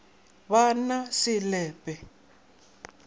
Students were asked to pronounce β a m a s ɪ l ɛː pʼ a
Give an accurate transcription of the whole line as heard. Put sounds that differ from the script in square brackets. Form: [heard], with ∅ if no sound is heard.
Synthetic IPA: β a [n] a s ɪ l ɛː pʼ [ɛ]